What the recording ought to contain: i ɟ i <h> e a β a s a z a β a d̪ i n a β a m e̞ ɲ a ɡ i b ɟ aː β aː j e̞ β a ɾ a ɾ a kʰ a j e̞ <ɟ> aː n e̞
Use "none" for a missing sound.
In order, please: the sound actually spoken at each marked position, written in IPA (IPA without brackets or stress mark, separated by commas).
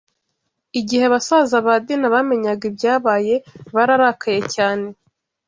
h, c